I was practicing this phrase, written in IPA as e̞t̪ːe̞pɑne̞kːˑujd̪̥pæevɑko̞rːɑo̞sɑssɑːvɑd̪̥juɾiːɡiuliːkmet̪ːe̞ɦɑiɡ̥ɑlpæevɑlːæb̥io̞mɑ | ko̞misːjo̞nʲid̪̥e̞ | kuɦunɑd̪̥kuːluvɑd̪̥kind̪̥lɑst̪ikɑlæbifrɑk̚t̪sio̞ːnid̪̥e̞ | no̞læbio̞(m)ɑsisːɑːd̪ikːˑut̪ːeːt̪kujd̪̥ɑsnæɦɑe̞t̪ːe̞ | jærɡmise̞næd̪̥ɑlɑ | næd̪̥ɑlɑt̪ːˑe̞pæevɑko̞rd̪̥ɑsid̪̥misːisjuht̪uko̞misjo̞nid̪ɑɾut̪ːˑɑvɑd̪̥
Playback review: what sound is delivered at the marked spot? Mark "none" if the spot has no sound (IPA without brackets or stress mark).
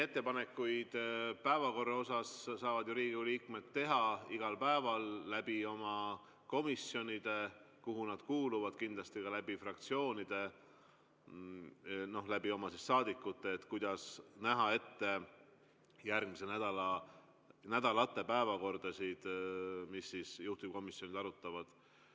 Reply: m